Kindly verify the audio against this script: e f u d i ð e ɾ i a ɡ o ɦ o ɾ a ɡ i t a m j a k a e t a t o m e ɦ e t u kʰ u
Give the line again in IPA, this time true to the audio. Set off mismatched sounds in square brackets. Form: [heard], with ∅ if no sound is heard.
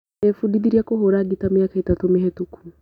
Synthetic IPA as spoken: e f u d i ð [i] ɾ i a [k] o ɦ o ɾ a ɡ i t a m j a k a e t a t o m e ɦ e t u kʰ u